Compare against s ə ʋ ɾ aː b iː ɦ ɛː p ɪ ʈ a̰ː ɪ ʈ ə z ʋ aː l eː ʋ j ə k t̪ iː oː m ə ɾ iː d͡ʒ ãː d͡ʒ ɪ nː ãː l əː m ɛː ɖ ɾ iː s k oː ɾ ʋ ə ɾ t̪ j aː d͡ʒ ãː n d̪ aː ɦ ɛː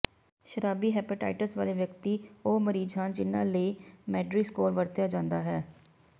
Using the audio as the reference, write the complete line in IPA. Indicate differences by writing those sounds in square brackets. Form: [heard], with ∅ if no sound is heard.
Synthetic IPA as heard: [ʃ] ə [∅] ɾ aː b iː ɦ ɛː p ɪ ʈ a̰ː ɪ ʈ ə [s] ʋ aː l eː ʋ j ə k t̪ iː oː m ə ɾ iː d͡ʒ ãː d͡ʒ ɪ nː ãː l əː m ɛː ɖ ɾ iː s k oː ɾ ʋ ə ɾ t̪ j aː d͡ʒ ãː n d̪ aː ɦ ɛː